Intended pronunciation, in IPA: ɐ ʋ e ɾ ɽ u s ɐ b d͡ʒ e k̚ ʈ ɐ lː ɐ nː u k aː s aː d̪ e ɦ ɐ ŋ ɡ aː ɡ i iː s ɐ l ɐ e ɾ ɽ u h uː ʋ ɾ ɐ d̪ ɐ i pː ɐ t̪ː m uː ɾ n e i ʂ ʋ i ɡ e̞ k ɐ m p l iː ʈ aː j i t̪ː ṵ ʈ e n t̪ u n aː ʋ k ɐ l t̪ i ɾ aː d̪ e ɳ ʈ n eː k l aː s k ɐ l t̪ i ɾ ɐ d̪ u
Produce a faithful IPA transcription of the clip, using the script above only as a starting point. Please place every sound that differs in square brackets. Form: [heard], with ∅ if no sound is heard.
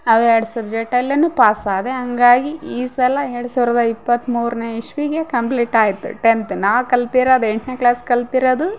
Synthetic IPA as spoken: ɐ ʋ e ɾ ɽ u s ɐ b d͡ʒ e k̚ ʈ ɐ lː ɐ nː u [p] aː s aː d̪ e ɦ ɐ ŋ ɡ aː ɡ i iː s ɐ l ɐ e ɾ ɽ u [s] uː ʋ ɾ ɐ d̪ ɐ i pː ɐ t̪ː m uː ɾ n e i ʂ ʋ i ɡ e̞ k ɐ m p l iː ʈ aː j i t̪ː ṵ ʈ e n t̪ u n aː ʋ k ɐ l t̪ i ɾ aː d̪ e ɳ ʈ n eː k l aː s k ɐ l t̪ i ɾ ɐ d̪ u